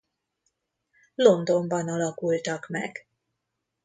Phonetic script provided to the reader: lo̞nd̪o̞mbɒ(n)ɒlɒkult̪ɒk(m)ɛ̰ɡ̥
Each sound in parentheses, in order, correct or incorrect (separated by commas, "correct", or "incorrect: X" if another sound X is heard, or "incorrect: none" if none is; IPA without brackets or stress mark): correct, correct